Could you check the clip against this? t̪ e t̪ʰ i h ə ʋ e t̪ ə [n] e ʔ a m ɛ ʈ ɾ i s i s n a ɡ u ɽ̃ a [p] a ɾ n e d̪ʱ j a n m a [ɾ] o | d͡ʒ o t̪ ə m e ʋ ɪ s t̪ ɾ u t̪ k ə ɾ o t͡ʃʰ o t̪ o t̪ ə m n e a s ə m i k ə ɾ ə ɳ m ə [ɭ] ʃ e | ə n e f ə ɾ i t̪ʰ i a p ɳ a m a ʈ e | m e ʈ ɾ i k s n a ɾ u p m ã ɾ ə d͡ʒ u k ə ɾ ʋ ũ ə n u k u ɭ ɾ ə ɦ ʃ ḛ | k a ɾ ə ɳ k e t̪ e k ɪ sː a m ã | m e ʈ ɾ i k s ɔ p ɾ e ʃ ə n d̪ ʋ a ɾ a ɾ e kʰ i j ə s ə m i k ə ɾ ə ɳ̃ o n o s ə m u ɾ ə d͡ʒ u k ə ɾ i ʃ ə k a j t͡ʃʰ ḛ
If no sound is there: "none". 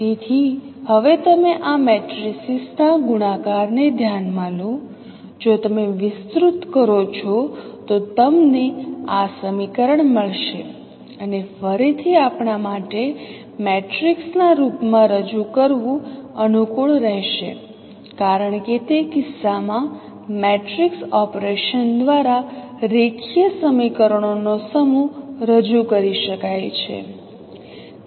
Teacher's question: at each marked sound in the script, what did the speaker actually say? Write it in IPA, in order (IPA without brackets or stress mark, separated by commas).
m, k, l, ɭ